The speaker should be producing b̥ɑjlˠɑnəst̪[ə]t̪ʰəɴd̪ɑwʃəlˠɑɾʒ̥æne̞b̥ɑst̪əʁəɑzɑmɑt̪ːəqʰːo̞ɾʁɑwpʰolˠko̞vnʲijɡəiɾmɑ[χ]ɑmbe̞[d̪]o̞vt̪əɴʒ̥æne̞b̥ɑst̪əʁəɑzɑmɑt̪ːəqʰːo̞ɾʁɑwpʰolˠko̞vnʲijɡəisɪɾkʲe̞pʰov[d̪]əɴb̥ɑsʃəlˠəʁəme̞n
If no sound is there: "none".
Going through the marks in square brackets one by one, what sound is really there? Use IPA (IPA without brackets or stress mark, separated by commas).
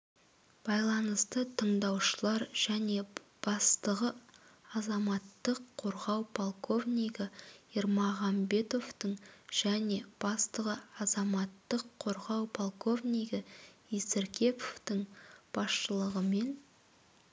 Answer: ə, ʁ, t̪, t̪